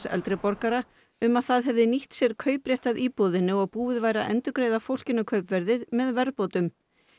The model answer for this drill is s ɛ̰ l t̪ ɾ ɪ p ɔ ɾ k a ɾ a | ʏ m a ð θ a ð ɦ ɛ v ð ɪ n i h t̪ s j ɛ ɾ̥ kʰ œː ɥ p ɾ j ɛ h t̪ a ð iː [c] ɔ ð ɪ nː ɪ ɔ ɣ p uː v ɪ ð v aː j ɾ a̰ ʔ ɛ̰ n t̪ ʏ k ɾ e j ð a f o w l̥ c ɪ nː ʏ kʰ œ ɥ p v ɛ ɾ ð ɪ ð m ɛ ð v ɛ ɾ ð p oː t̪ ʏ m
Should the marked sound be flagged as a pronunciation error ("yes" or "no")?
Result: yes